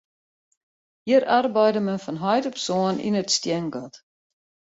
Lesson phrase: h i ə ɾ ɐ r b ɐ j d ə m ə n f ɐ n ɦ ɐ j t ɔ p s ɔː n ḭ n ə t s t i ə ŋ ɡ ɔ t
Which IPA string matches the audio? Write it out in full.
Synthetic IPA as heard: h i ə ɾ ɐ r b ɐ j d ə m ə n f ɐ n ɦ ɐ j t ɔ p s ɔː n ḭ n ə t s t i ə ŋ ɡ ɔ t